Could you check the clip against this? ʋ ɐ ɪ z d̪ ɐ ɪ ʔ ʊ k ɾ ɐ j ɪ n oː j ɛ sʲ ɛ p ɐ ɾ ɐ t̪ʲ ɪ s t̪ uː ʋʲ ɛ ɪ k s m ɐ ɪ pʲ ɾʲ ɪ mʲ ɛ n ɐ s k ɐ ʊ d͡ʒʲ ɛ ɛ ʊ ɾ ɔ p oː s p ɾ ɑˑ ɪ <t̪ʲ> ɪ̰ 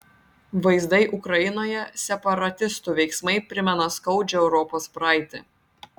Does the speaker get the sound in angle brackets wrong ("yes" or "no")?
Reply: no